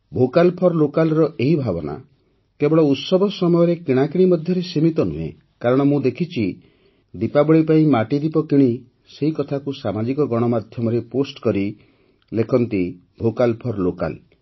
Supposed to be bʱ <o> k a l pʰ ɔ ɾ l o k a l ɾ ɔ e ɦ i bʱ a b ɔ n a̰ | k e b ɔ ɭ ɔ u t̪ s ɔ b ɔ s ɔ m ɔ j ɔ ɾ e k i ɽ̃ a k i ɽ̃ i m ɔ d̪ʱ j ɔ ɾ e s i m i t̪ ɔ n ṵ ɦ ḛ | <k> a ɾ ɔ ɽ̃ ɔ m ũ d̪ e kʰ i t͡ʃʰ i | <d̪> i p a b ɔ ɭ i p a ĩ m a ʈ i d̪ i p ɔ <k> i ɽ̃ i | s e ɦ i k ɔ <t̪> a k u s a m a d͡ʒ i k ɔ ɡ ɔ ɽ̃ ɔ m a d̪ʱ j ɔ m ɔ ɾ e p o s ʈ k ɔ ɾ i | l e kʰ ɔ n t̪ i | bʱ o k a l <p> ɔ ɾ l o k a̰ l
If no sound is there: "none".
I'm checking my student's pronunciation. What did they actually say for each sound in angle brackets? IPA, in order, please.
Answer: o, k, d̪, k, t̪ʰ, pʰ

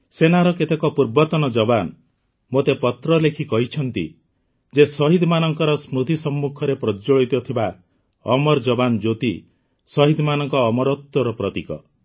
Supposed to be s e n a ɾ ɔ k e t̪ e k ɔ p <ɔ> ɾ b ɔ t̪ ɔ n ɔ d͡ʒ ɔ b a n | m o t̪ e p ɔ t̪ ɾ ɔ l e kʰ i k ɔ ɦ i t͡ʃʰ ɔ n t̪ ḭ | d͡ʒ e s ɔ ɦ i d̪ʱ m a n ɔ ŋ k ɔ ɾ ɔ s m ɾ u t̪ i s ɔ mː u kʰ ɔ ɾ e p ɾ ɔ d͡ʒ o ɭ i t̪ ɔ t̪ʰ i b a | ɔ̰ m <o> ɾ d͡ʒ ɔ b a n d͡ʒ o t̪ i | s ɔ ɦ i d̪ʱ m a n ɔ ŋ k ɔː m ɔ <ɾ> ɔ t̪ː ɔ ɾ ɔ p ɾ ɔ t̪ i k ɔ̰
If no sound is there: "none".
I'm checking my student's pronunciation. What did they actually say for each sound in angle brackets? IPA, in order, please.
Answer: u, ɔ, ɾ

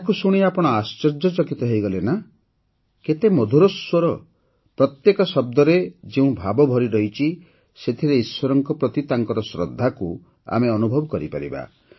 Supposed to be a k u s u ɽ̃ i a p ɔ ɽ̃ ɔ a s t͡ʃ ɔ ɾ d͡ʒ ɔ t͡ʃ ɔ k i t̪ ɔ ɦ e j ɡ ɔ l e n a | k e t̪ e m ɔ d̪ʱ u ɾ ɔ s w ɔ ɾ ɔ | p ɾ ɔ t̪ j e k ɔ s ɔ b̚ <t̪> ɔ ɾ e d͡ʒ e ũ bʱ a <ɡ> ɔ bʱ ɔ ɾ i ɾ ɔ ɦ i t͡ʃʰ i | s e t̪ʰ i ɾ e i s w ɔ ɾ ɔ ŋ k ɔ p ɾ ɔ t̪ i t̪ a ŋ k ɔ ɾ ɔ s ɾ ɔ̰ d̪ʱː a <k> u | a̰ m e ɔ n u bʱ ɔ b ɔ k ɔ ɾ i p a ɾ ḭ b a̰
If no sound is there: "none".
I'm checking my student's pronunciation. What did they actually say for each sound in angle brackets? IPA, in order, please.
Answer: d̪, b, k

